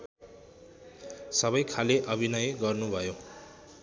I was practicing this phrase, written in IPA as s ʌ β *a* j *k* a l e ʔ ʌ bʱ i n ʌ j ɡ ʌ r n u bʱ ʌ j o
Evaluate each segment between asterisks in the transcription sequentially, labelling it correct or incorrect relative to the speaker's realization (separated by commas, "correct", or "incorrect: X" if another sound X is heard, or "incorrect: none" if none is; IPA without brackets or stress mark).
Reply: incorrect: ʌ, incorrect: kʰ